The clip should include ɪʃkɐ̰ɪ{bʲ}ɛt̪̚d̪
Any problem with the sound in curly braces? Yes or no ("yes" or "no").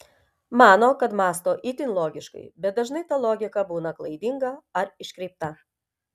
no